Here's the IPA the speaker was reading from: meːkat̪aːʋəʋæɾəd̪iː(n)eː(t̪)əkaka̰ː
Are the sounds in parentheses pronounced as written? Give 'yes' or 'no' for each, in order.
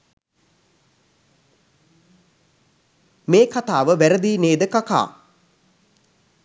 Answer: yes, no

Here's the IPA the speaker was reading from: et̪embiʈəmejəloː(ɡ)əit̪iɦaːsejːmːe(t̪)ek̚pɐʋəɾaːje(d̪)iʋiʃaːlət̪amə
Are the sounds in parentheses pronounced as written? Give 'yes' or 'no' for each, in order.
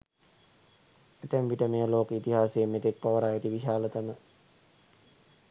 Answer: no, yes, no

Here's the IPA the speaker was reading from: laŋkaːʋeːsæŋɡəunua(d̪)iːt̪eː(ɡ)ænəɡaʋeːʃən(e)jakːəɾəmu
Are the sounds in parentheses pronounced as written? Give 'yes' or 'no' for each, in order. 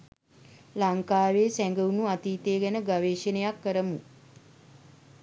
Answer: no, yes, yes

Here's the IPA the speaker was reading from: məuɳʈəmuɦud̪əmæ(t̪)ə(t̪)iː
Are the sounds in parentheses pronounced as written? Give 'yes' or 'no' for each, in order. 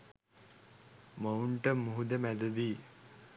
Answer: no, no

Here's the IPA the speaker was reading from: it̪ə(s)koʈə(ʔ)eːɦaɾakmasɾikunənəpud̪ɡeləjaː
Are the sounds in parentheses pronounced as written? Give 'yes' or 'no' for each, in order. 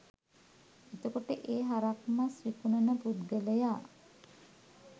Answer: no, yes

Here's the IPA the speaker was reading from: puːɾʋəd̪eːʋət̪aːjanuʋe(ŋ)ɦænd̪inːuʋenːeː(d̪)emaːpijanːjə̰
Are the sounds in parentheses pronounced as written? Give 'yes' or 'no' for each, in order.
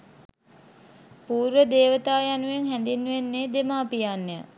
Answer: yes, yes

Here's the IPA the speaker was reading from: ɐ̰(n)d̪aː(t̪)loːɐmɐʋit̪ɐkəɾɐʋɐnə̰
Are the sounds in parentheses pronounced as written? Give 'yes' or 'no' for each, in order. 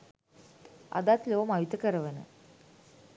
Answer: no, yes

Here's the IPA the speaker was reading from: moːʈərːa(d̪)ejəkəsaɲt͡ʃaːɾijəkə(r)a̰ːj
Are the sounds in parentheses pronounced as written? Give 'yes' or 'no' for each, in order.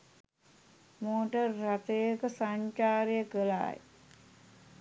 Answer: no, no

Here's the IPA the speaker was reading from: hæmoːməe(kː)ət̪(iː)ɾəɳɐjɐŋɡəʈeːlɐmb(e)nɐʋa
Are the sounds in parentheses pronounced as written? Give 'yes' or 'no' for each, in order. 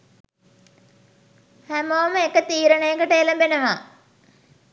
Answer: yes, yes, yes

